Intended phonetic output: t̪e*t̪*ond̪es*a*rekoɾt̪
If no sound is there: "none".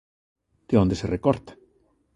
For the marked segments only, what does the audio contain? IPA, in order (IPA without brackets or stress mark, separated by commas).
none, e